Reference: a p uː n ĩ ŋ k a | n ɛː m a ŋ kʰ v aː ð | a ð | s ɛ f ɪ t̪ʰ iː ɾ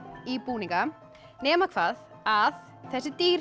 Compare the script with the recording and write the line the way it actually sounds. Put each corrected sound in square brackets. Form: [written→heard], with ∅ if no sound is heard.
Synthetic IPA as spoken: [a→i] p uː n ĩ ŋ k a | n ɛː m a [ŋ→∅] kʰ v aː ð | a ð | [s→θ] ɛ [f→s] ɪ [t̪ʰ→t̪] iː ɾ